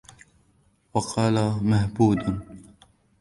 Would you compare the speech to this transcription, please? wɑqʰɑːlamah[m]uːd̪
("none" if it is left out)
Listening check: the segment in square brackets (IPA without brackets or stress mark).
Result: b